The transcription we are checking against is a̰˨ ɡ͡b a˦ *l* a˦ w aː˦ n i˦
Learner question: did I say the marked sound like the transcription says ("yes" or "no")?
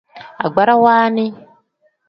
no